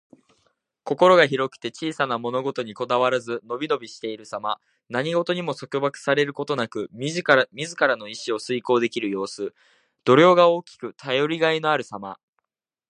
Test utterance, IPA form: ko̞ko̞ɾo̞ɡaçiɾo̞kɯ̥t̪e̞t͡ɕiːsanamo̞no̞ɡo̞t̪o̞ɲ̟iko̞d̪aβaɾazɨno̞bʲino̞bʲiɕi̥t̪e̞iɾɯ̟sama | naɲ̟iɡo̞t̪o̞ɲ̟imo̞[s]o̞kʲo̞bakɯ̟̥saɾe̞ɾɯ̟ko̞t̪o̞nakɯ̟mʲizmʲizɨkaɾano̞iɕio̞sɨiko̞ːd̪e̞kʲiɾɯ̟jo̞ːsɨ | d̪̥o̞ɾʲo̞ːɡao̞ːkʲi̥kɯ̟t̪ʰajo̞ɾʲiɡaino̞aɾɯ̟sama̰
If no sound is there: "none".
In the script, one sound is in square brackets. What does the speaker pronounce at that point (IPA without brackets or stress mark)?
s